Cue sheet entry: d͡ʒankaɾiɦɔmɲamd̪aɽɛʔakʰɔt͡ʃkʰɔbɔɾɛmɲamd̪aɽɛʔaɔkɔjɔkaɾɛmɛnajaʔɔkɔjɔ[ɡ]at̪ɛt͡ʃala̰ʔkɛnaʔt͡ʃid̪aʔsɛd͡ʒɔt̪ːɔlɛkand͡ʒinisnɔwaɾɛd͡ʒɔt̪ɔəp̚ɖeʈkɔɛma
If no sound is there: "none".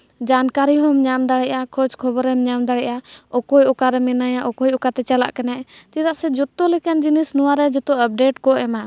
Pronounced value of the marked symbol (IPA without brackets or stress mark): k